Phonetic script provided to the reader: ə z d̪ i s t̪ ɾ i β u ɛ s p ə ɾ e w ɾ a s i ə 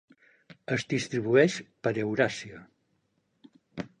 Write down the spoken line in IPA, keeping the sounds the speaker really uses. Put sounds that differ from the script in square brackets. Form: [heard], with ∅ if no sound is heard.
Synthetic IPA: ə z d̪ i s t̪ ɾ i β u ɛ [ʃ] p ə ɾ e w ɾ a s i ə